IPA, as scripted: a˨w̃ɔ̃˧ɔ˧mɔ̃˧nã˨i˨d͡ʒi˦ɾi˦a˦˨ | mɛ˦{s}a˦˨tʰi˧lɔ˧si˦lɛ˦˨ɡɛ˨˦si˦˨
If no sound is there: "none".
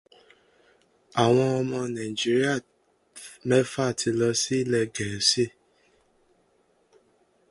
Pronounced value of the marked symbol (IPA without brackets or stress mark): f